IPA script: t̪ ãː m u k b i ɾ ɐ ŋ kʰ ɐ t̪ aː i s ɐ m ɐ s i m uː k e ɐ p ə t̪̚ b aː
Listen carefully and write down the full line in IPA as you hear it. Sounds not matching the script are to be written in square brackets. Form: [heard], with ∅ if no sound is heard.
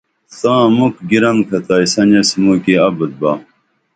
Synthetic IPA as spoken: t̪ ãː m u k [ɡ] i ɾ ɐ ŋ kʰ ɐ t̪ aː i s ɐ [n] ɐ s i m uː k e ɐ [b] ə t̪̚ b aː